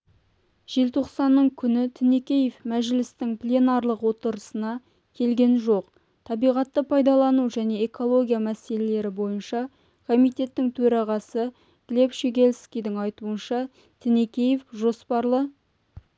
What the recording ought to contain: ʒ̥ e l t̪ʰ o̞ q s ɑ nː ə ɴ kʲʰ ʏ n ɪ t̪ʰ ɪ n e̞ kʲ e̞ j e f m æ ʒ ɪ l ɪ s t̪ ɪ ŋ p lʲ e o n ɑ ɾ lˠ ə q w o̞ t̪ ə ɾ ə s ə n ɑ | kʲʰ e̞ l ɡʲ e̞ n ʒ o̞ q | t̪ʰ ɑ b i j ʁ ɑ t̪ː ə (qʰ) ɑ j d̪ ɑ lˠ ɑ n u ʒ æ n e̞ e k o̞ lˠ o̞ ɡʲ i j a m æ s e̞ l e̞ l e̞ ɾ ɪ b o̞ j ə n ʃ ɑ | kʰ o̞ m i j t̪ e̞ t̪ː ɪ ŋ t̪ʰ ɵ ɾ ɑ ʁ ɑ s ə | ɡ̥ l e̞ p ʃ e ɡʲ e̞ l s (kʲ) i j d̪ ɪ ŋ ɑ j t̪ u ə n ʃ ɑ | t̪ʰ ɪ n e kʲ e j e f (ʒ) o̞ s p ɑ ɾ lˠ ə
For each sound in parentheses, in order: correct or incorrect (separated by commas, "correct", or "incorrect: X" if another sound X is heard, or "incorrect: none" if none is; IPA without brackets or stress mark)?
incorrect: pʰ, correct, correct